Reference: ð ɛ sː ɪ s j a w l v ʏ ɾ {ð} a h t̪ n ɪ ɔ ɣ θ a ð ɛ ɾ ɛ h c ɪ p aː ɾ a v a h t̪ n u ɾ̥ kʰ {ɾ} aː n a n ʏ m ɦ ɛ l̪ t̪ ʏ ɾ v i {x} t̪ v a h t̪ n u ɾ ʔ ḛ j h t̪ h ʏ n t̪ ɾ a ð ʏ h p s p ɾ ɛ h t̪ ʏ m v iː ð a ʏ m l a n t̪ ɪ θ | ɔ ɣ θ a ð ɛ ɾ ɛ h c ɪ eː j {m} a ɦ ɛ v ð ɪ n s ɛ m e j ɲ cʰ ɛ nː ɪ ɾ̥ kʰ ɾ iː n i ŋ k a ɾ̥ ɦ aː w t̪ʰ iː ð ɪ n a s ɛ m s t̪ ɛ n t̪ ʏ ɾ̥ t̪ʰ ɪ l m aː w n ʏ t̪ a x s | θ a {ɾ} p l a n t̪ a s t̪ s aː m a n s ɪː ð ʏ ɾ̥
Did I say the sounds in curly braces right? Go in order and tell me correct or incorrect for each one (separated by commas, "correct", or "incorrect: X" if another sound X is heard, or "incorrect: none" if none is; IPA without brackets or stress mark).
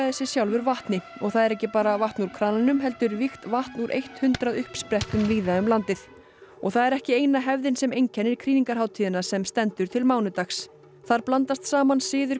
incorrect: v, correct, correct, incorrect: n, correct